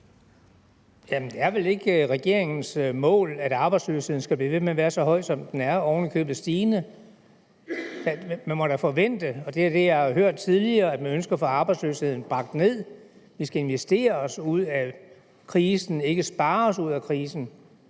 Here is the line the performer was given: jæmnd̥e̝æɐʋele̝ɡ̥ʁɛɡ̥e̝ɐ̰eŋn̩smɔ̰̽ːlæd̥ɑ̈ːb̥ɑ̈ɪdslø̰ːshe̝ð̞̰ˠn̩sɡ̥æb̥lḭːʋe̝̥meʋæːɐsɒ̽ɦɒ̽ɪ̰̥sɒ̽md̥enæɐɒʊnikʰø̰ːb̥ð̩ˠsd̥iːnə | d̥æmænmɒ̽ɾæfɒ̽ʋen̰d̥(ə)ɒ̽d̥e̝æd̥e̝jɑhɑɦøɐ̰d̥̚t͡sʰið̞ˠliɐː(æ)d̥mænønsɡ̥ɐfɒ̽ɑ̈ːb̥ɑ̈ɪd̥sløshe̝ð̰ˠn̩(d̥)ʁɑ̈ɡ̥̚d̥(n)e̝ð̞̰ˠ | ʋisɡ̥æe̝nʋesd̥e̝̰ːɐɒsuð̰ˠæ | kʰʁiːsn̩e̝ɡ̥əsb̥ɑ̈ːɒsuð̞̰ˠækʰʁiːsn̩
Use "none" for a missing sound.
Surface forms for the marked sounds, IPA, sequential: ə, æ, b̥, n

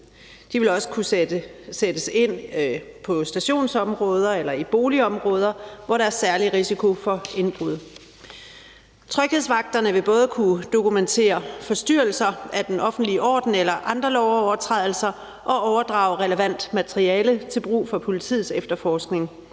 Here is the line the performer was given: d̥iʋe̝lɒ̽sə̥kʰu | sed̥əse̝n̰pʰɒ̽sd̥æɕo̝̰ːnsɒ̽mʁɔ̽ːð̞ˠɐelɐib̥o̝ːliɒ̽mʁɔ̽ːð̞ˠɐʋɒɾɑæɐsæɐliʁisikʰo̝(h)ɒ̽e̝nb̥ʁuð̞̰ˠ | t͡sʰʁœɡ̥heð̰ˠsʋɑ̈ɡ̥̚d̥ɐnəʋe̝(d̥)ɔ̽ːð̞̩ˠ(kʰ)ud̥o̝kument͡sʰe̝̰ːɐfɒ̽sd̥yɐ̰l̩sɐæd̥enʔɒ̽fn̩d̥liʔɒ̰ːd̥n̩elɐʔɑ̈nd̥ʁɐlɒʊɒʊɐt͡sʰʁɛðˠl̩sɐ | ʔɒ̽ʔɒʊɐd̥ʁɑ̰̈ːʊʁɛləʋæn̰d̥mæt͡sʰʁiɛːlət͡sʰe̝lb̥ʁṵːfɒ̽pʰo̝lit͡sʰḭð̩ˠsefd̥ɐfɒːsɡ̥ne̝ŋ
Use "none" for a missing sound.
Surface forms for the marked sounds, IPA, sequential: f, b̥, kʰ

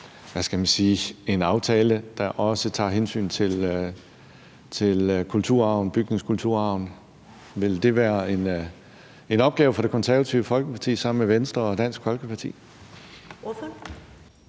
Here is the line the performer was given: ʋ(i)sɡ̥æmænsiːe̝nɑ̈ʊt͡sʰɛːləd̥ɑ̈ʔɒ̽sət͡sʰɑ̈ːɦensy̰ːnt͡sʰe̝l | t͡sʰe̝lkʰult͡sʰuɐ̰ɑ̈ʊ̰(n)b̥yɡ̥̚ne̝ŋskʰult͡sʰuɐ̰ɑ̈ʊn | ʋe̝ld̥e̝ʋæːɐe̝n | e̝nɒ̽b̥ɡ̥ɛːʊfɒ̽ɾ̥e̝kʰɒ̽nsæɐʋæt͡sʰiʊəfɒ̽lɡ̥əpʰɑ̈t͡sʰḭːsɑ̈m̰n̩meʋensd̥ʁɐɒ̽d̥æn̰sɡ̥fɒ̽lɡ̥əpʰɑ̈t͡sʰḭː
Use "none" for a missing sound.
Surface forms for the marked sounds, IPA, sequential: æ, n

